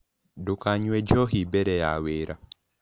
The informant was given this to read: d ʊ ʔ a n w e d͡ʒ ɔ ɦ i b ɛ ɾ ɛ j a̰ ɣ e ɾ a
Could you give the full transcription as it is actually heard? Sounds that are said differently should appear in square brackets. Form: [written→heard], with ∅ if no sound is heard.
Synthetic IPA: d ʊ [ʔ→k] a [n→ɲ] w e d͡ʒ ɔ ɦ i b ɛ ɾ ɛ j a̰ [ɣ→w] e ɾ a